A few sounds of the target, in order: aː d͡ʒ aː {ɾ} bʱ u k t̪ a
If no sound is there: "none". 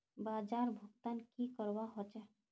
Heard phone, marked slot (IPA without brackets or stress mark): ɾ